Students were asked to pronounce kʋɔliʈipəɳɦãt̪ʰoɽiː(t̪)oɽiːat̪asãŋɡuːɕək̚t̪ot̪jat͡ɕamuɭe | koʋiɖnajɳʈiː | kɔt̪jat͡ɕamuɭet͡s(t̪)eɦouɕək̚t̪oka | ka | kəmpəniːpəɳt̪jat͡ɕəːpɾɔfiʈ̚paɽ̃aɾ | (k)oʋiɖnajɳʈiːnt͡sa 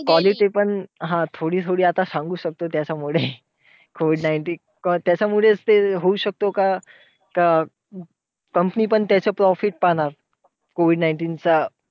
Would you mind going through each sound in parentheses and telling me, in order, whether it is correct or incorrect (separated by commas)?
incorrect, correct, correct